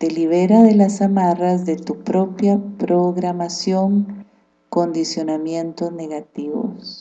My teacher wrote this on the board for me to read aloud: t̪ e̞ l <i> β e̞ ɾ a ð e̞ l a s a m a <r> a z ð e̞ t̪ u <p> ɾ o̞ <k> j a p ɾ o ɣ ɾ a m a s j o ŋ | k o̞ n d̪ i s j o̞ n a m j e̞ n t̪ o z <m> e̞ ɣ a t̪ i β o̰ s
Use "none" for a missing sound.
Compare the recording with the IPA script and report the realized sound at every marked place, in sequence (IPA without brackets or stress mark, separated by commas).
i, r, p, p, n